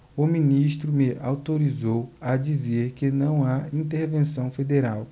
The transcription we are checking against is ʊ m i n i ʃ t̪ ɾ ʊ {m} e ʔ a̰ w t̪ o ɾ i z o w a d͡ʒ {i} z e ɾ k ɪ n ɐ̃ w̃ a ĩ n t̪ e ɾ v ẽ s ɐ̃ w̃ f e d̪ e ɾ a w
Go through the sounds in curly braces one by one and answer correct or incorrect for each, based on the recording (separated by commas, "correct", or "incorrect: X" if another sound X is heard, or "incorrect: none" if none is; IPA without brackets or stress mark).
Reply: correct, correct